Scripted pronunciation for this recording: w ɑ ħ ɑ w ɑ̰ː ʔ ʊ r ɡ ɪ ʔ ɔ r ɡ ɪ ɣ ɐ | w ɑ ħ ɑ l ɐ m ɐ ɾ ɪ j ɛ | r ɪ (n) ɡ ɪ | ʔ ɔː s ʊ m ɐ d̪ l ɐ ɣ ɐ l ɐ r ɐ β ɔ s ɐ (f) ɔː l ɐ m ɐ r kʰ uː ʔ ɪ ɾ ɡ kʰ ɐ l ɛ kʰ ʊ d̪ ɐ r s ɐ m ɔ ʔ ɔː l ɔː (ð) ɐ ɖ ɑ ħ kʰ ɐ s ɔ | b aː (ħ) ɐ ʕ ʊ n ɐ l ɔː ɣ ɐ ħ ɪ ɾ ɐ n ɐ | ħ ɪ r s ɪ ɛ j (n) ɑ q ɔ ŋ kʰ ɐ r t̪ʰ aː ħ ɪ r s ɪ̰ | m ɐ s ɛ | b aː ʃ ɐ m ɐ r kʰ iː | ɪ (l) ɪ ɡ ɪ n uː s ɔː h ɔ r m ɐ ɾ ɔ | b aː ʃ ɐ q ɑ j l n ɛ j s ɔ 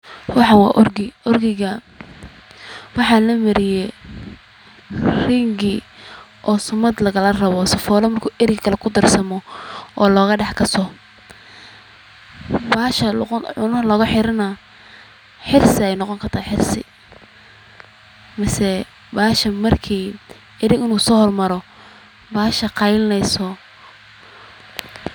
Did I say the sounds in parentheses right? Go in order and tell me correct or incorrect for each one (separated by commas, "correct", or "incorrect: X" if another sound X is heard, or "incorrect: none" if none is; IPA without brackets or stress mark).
incorrect: ŋ, correct, incorrect: ɣ, incorrect: ʃ, correct, incorrect: ɾ